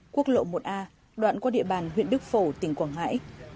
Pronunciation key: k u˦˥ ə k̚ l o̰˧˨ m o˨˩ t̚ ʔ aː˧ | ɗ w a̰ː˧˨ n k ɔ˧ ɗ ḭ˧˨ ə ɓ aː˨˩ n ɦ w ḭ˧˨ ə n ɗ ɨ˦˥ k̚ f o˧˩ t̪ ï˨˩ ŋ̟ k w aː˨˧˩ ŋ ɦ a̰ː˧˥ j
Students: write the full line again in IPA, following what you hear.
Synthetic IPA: k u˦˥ ə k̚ l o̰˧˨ m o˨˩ t̚ ʔ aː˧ | ɗ w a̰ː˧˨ n k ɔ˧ ɗ ḭ˧˨ ə ɓ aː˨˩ n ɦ w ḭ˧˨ ə n ɗ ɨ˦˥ k̚ f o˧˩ t̪ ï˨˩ ŋ̟ k w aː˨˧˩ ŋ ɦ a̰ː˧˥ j